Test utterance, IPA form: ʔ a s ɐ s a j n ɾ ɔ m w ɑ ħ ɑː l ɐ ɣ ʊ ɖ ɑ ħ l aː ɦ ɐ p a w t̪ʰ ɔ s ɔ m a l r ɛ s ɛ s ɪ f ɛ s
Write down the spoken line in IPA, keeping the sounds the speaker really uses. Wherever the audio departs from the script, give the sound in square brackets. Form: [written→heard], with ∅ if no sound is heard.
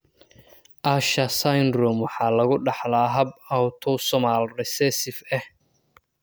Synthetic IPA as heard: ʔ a [s→ʃ] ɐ s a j n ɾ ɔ m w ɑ ħ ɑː l ɐ ɣ ʊ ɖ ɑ ħ l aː ɦ ɐ [p→b] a w t̪ʰ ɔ s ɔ m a l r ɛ s ɛ s ɪ f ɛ [s→h]